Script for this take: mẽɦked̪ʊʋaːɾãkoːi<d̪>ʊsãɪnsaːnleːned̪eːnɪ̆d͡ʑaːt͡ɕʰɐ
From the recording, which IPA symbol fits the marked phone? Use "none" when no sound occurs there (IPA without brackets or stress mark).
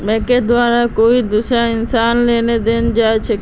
d̪